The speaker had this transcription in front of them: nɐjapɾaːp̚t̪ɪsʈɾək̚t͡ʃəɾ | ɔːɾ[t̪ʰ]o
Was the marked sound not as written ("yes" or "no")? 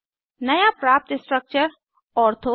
no